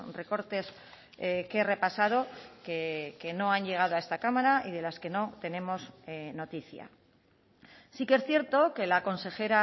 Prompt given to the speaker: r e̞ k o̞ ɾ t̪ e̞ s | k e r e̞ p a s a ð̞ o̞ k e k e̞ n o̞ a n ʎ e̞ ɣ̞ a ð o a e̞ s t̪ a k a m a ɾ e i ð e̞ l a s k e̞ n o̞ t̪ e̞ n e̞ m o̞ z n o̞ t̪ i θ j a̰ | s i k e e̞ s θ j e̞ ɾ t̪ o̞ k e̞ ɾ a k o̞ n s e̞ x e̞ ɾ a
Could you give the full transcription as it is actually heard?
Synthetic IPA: r e̞ k o̞ ɾ t̪ e̞ s | k e r e̞ p a s a ð̞ o̞ k e k e̞ n o̞ a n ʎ e̞ ɣ̞ a ð o a e̞ s t̪ a k a m a ɾ a i ð e̞ l a s k e̞ n o̞ t̪ e̞ n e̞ m o̞ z n o̞ t̪ i θ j a̰ | s i k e e̞ s θ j e̞ ɾ t̪ o̞ k e̞ l a k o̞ n s e̞ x e̞ ɾ a

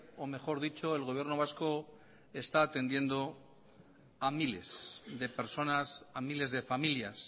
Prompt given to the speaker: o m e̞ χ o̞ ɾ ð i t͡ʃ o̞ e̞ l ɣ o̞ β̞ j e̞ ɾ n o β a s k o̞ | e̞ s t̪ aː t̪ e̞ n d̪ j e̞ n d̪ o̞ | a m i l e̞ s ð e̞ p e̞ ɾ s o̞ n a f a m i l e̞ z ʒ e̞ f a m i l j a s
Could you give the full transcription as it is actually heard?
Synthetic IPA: o m e̞ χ o̞ ɾ ð i t͡ʃ o̞ e̞ l ɣ o̞ β̞ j e̞ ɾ n o β a s k o̞ | e̞ s t̪ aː t̪ e̞ n d̪ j e̞ n d̪ o̞ | a m i l e̞ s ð e̞ p e̞ ɾ s o̞ n a s a m i l e̞ z ð e̞ f a m i l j a s

